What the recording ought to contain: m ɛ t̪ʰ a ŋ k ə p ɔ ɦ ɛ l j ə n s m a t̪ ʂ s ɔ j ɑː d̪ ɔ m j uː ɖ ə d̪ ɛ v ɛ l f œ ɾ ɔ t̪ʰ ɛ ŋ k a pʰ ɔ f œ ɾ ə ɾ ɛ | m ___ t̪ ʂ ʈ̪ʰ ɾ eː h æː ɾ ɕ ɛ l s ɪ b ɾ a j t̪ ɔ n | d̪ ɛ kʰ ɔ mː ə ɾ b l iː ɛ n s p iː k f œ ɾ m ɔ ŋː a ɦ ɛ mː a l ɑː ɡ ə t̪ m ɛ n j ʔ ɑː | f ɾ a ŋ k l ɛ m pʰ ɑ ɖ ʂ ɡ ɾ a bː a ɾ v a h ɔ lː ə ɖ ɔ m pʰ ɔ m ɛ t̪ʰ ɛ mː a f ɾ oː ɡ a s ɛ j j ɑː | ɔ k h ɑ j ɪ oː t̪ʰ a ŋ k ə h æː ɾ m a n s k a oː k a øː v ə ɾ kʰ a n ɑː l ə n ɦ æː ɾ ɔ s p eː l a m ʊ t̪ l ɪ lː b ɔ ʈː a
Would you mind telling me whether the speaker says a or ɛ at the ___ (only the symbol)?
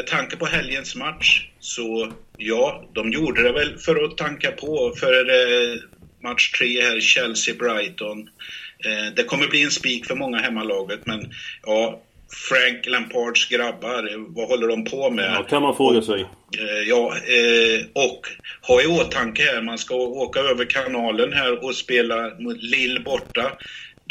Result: a